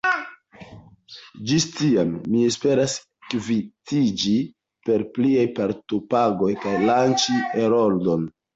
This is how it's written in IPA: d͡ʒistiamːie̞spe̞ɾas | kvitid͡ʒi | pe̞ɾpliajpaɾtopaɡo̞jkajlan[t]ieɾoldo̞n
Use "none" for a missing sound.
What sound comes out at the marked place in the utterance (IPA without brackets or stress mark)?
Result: t͡ʃ